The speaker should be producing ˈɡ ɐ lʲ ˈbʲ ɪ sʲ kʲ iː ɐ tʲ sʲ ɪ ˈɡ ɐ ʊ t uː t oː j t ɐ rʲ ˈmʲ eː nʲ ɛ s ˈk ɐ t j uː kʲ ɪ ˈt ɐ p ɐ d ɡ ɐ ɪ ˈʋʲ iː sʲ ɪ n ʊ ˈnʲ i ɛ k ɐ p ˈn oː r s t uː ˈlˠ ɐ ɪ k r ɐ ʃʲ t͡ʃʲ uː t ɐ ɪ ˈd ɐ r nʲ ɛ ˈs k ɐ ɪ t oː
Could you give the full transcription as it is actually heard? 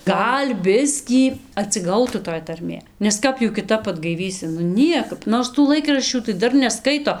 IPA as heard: ˈɡ ɐ lʲ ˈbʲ ɪ sʲ kʲ iː ɐ tʲ sʲ ɪ ˈɡ ɐ ʊ t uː t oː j t ɐ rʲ ˈmʲ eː nʲ ɛ s ˈk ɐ p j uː kʲ ɪ ˈt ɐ p ɐ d ɡ ɐ ɪ ˈʋʲ iː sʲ ɪ n ʊ ˈnʲ i ɛ k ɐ p ˈn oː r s t uː ˈlˠ ɐ ɪ k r ɐ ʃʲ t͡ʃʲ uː t ɐ ɪ ˈd ɐ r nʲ ɛ ˈs k ɐ ɪ t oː